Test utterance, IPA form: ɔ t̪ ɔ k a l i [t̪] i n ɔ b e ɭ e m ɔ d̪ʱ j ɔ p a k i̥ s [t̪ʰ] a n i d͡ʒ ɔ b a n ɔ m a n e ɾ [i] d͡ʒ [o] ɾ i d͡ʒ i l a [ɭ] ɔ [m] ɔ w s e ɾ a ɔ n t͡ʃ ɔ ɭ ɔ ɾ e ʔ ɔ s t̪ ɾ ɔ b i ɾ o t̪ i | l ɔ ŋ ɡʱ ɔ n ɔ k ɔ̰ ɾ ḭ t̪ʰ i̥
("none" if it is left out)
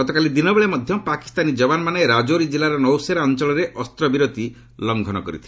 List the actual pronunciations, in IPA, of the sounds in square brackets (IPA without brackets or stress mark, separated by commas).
d̪, t̪, a, o, ɾ, n